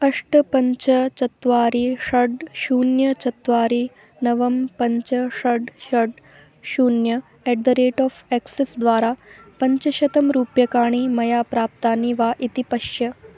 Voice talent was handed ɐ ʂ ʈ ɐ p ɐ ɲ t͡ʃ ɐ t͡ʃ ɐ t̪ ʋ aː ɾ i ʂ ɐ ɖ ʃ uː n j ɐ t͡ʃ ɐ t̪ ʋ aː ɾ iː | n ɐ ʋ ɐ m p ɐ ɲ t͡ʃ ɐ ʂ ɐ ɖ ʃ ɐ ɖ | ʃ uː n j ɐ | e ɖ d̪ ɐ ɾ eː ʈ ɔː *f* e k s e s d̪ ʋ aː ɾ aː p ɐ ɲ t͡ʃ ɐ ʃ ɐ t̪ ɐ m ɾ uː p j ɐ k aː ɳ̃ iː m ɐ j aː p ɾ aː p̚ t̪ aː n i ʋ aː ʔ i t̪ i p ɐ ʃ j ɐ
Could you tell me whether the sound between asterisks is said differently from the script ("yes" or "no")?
no